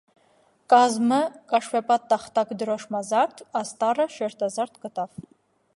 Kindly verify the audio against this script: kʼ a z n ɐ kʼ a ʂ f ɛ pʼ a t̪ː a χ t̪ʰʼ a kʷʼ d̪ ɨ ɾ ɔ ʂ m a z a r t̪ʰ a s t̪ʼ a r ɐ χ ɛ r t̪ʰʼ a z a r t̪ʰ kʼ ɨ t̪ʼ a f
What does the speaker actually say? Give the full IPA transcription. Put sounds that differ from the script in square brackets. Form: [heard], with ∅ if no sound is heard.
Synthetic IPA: kʼ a z [m] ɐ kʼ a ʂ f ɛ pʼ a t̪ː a χ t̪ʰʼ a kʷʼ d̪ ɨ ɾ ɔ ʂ m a z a r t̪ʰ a s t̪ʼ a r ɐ [ʃ] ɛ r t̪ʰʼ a z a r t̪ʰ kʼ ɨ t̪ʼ a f

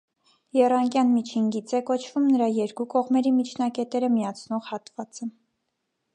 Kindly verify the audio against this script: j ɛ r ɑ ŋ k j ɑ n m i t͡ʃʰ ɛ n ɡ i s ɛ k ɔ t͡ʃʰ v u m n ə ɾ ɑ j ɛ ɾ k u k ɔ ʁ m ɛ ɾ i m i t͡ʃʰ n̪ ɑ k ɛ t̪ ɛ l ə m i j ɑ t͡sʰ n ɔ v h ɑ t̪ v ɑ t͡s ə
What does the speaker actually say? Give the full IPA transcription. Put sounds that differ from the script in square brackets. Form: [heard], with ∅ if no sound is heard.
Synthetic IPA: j ɛ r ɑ ŋ k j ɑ n m i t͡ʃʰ [i] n ɡ i [t͡s] ɛ k ɔ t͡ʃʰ v u m n ə ɾ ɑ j ɛ ɾ k u k ɔ ʁ m ɛ ɾ i m i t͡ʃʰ n̪ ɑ k ɛ t̪ ɛ [ɾ] ə m i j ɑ t͡sʰ n ɔ [ʁ] h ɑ t̪ v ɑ t͡s ə

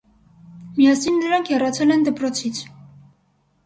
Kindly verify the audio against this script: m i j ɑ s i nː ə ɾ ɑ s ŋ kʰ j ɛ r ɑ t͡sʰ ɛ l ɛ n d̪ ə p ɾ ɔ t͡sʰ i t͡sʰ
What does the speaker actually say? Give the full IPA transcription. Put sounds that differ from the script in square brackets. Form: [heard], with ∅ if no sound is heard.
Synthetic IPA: m i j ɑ s i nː ə ɾ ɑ [∅] ŋ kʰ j ɛ r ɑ t͡sʰ ɛ l ɛ n d̪ ə p ɾ ɔ t͡sʰ i t͡sʰ

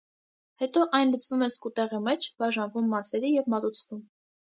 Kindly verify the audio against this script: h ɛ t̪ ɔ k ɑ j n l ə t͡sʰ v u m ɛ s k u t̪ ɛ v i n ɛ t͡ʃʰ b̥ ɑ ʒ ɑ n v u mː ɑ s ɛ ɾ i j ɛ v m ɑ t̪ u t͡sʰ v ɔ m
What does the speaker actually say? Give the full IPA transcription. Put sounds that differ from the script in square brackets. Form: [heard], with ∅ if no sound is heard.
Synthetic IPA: h ɛ t̪ ɔ [ʔ] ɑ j n l ə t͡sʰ v u m ɛ s k u t̪ ɛ [ʁ] i [m] ɛ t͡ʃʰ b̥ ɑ ʒ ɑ n v u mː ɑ s ɛ ɾ i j ɛ v m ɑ t̪ u t͡sʰ v [u] m

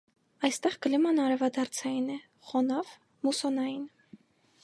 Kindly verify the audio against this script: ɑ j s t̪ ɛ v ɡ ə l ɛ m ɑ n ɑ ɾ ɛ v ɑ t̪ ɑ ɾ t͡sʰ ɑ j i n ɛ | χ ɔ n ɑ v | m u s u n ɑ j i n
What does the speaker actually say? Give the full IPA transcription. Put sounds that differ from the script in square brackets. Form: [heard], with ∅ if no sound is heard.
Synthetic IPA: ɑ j s t̪ ɛ [ʁ] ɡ ə l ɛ m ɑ n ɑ ɾ ɛ v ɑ [d̪] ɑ ɾ t͡sʰ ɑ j i n ɛ | χ ɔ n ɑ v | m u s [ɔ] n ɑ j i n

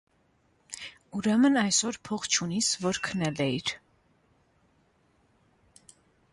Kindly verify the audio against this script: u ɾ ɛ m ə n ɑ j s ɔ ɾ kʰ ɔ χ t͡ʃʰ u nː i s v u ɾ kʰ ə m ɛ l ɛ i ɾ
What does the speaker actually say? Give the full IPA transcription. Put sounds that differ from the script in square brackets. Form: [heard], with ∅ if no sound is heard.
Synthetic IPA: u ɾ ɛ m ə n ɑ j s ɔ ɾ [pʰ] ɔ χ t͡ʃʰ u [n] i s v [ɔ] ɾ kʰ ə [n] ɛ l ɛ i ɾ

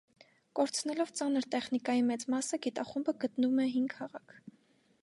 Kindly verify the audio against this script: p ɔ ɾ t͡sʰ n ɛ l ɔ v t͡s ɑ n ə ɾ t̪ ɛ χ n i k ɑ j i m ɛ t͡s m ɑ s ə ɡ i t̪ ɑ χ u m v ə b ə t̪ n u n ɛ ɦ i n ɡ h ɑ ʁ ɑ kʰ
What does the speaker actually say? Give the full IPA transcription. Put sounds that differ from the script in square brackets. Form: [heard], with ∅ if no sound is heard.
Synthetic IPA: [k] ɔ ɾ t͡sʰ n ɛ l ɔ v t͡s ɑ n ə ɾ t̪ ɛ χ n i k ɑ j i m ɛ t͡s m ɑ s ə ɡ i t̪ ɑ χ u m [b] ə [ɡ] ə t̪ n u [m] ɛ ɦ i [ŋ] ɡ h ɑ ʁ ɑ kʰ

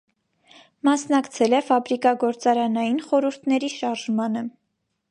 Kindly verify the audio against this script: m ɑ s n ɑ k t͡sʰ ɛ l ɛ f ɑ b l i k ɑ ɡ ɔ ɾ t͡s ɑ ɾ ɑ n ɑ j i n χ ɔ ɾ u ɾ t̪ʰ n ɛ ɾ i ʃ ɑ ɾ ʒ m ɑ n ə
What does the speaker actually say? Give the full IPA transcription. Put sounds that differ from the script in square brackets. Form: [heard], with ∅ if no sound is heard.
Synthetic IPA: m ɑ s n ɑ k t͡sʰ ɛ l ɛ f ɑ b [ɾ] i k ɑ ɡ ɔ ɾ t͡s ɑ ɾ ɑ n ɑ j i n χ ɔ ɾ u ɾ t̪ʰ n ɛ ɾ i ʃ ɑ ɾ ʒ m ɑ n ə

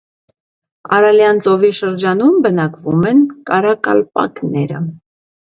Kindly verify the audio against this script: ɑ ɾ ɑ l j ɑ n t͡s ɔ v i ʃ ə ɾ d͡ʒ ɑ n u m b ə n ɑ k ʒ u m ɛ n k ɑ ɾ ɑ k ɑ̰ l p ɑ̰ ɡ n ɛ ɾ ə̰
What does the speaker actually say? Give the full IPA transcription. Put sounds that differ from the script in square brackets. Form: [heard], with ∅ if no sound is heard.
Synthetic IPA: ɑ ɾ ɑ l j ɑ n t͡s ɔ v i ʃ ə ɾ d͡ʒ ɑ n u m b ə n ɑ k [v] u m ɛ n k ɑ ɾ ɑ k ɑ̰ l p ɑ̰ [k] n ɛ ɾ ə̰

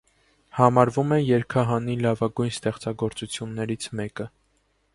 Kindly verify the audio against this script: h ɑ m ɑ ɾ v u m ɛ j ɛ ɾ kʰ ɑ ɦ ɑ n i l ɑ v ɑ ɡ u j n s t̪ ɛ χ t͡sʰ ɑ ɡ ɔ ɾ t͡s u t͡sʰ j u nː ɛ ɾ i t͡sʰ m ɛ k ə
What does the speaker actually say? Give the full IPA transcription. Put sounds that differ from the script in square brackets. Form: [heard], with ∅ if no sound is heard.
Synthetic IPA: h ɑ m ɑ ɾ v u m ɛ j ɛ ɾ kʰ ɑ ɦ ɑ n i l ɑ v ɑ ɡ u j n s t̪ ɛ χ [t͡s] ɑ ɡ ɔ ɾ t͡s u t͡sʰ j u nː ɛ ɾ i t͡sʰ m ɛ k ə

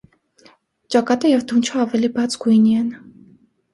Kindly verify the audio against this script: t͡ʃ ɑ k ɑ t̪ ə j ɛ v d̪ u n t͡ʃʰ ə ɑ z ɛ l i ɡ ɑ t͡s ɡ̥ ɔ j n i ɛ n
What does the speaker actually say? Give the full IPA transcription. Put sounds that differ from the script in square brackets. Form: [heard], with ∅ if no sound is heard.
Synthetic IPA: t͡ʃ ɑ k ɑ t̪ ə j ɛ v d̪ u n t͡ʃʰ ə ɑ [v] ɛ l i [b] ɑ t͡s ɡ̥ [u] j n i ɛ n

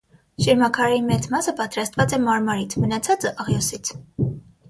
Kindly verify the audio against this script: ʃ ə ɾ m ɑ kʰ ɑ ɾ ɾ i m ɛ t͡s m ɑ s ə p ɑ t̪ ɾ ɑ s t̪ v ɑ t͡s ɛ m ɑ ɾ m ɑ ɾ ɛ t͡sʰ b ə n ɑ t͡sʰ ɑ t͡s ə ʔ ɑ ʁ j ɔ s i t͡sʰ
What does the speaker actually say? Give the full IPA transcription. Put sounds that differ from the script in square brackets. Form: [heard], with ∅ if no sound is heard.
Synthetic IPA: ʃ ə ɾ m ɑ kʰ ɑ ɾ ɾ i m ɛ t͡s m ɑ s ə p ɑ t̪ ɾ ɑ s t̪ v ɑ t͡s ɛ m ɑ ɾ m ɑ ɾ [i] t͡sʰ [m] ə n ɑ t͡sʰ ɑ t͡s ə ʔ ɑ ʁ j ɔ s i t͡sʰ

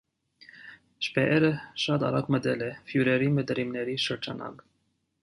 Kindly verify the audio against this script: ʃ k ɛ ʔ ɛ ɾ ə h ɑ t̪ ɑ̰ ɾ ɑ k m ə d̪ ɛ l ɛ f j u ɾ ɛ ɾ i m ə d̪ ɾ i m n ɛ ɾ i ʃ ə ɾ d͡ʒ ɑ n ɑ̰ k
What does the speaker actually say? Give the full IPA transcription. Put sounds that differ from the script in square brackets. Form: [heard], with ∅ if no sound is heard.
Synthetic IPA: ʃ [p] ɛ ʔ ɛ ɾ ə [ʃ] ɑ t̪ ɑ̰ ɾ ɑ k m ə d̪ ɛ l ɛ f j u ɾ ɛ ɾ i m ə d̪ ɾ i m n ɛ ɾ i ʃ ə ɾ d͡ʒ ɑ n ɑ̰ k

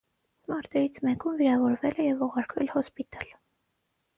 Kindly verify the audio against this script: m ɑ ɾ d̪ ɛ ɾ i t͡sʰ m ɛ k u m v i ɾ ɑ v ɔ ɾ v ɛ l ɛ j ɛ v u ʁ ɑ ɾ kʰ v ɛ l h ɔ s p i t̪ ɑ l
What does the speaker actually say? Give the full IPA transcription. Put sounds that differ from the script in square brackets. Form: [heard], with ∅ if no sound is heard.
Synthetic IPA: m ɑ ɾ [t̪] ɛ ɾ i t͡sʰ m ɛ k u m v i ɾ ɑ v ɔ ɾ v ɛ l ɛ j ɛ v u ʁ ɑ ɾ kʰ v ɛ l h ɔ s p i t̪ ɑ l

